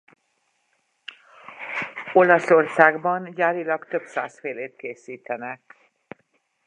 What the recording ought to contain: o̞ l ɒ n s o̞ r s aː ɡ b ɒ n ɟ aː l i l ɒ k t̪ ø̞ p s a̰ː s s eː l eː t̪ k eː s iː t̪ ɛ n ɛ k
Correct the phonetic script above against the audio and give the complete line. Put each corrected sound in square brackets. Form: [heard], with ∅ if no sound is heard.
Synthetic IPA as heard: o̞ l ɒ [∅] s o̞ r s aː ɡ b ɒ n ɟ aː [ɾ] i l ɒ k t̪ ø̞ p s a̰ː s [f] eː l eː t̪ k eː s iː t̪ ɛ n ɛ k